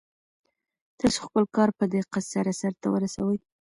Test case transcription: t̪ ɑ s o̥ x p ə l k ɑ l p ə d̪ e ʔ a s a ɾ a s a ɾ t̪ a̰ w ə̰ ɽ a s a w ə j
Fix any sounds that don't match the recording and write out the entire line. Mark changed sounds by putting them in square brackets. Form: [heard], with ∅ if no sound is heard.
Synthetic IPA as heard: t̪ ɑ s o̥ x p ə l k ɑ [ɾ] p ə d̪ e [q] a s a ɾ a s a ɾ t̪ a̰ w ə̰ [ɾ] a s a w ə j